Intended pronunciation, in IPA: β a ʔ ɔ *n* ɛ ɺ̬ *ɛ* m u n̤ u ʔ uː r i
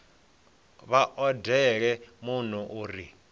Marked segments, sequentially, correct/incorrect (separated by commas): incorrect, correct